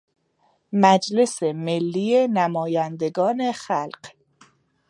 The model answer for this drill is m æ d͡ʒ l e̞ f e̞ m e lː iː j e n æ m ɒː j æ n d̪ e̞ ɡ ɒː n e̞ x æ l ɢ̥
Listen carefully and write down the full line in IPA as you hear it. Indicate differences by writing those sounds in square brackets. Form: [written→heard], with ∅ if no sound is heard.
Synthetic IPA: m æ d͡ʒ l e̞ [f→s] e̞ m e lː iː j e n æ m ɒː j æ n d̪ e̞ ɡ ɒː n e̞ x æ l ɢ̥